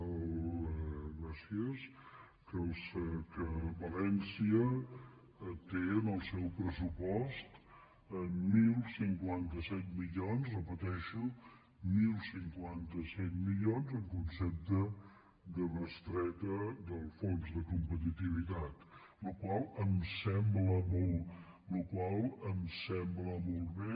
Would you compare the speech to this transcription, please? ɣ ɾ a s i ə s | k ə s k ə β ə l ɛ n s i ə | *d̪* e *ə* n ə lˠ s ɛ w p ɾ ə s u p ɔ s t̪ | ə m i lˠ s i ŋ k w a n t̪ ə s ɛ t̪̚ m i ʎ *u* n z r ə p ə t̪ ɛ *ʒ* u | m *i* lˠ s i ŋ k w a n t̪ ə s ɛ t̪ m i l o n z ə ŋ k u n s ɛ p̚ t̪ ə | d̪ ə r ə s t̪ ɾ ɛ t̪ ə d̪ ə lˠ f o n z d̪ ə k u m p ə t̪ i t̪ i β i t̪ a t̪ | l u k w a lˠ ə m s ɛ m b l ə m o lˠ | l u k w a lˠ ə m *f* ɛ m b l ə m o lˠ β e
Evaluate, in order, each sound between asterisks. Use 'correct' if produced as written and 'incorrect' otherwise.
incorrect: t̪, correct, incorrect: o, incorrect: ʃ, correct, incorrect: s

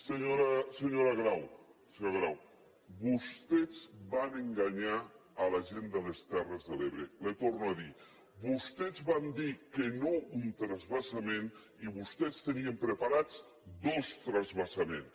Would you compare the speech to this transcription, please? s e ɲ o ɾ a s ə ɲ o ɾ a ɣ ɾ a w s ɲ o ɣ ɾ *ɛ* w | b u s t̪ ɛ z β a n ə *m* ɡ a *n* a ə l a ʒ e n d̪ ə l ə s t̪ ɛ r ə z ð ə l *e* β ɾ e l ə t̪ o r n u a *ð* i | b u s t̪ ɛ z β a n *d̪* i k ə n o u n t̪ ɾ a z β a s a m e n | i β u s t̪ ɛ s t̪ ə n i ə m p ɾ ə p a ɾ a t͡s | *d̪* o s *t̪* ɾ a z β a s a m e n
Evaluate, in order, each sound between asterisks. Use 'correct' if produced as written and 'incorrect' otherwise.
incorrect: a, incorrect: ŋ, incorrect: ɲ, correct, correct, correct, correct, correct

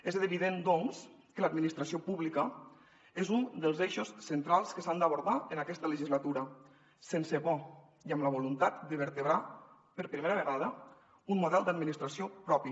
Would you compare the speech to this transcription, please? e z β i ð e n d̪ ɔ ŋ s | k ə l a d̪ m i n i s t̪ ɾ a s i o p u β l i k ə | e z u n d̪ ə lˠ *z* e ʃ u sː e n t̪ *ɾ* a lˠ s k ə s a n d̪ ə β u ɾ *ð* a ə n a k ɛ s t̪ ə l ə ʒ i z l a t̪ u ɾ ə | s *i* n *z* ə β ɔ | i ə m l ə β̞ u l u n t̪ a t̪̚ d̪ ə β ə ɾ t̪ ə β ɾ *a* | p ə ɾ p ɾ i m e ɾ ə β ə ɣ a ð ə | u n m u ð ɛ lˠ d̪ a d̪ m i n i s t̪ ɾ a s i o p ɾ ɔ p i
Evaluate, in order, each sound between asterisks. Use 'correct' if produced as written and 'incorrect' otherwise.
correct, correct, correct, incorrect: e, incorrect: s, correct

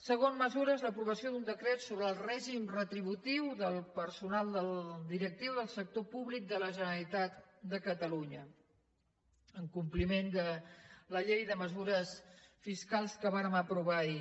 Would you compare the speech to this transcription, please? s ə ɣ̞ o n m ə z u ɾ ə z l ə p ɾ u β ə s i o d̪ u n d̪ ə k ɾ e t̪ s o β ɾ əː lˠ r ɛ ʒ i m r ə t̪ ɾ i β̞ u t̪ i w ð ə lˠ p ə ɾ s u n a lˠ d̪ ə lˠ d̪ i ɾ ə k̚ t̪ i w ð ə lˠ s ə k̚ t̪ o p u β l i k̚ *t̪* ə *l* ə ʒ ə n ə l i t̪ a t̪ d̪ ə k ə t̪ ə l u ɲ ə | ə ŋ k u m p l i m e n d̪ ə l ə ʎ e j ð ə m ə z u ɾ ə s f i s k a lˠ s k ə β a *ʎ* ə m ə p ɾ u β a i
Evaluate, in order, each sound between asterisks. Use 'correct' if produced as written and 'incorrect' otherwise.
incorrect: d̪, correct, incorrect: ɾ

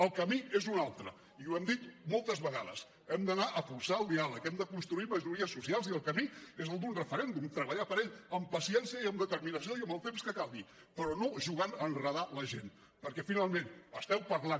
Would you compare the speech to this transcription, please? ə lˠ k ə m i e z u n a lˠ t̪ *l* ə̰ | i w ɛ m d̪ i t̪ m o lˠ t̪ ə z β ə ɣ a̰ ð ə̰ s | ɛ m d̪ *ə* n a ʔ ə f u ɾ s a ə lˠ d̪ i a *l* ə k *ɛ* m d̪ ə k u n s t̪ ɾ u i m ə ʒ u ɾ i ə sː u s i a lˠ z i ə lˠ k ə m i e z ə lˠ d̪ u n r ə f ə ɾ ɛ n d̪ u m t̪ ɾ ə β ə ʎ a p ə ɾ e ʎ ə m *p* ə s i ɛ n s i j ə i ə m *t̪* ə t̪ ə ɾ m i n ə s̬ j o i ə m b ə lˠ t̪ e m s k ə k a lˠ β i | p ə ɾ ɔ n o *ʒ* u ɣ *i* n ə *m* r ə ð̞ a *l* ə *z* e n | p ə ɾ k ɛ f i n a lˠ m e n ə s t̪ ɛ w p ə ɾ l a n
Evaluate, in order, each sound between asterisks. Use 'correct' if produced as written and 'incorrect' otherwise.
incorrect: ɾ, correct, correct, correct, correct, incorrect: d̪, correct, incorrect: a, incorrect: n, correct, incorrect: ʒ

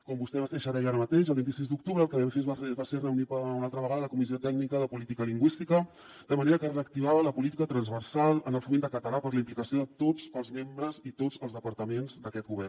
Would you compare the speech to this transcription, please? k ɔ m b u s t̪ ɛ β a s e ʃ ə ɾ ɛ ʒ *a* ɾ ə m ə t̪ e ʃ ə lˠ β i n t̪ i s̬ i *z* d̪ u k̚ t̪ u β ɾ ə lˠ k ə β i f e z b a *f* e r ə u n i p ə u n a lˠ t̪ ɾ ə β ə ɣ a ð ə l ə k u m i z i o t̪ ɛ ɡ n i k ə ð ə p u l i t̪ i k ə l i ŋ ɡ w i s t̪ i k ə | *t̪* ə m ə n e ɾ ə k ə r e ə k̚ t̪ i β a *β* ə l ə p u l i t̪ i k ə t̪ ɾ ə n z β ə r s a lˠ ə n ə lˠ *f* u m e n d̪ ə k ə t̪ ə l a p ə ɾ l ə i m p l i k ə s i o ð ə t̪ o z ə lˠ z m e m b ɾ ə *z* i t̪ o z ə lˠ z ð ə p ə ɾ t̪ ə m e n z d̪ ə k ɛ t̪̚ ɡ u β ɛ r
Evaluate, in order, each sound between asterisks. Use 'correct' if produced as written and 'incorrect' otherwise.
correct, correct, incorrect: s, incorrect: d̪, correct, correct, correct

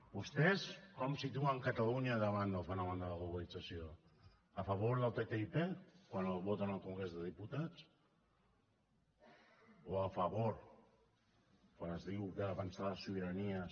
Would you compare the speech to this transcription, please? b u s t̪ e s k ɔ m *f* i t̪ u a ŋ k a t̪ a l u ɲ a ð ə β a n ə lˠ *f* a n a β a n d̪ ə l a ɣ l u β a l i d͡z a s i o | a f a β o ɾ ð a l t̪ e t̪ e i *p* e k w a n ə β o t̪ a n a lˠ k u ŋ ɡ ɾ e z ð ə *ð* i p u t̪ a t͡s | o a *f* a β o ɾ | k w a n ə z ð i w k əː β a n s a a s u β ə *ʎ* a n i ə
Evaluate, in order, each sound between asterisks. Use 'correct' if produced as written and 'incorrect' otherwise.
incorrect: s, correct, correct, correct, correct, incorrect: ɾ

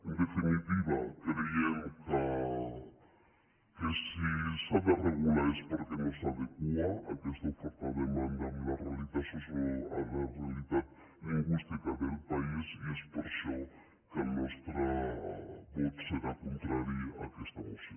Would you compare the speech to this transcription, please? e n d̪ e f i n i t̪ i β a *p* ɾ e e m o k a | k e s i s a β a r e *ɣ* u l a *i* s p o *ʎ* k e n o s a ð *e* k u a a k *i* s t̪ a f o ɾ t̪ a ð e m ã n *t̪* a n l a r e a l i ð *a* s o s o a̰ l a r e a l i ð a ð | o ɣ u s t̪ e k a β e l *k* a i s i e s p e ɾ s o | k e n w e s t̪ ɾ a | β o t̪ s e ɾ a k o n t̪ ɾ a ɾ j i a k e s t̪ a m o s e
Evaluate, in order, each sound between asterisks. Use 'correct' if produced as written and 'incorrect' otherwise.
incorrect: k, correct, incorrect: e, incorrect: ɾ, correct, incorrect: e, incorrect: d̪, correct, incorrect: p

